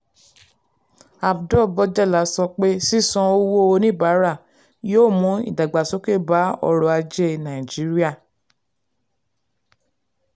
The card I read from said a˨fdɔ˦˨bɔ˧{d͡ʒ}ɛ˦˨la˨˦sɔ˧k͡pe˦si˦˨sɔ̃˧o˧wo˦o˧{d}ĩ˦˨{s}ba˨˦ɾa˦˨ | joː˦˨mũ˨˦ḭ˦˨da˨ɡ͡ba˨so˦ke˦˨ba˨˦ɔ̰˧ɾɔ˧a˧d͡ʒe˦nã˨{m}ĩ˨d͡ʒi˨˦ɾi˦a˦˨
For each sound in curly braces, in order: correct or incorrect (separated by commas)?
correct, incorrect, incorrect, incorrect